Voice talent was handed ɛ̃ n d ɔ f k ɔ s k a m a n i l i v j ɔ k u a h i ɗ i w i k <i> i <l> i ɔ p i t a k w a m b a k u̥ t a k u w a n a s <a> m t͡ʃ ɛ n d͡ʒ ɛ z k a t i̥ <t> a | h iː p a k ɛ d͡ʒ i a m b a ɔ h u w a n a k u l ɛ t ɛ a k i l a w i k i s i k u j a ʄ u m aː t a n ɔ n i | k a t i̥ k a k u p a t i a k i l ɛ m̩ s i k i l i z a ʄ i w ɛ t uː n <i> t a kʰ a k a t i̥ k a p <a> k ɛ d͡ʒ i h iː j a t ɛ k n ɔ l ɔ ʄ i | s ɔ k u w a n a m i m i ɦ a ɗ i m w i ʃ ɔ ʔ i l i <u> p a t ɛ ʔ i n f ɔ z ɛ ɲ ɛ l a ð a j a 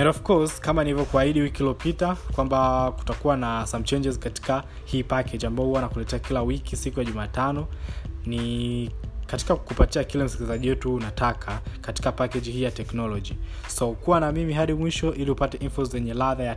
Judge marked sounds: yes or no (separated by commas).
yes, yes, yes, no, no, yes, yes